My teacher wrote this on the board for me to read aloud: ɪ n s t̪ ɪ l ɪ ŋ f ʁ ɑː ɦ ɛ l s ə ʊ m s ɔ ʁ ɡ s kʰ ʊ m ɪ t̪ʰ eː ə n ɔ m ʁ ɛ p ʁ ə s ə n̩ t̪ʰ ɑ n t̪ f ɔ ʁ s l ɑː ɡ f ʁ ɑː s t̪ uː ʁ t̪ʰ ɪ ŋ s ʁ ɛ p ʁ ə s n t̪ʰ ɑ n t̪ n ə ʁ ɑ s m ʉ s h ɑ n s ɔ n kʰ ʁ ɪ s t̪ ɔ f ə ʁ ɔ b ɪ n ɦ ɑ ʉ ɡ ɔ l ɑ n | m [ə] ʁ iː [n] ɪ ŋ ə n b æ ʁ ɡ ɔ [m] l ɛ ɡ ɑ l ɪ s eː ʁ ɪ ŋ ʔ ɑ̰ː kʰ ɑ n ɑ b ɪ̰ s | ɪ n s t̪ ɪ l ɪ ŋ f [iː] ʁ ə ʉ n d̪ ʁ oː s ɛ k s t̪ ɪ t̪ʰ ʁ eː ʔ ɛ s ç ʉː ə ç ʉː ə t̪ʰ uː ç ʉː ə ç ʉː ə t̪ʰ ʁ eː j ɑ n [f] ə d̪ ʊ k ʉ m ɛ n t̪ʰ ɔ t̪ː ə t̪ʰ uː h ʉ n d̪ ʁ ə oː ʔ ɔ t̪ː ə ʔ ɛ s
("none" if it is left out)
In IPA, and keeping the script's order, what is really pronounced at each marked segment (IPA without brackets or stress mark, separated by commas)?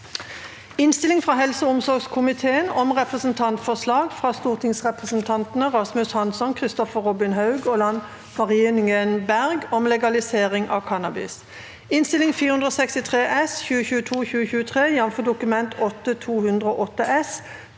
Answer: ɑ, n, m, iː, f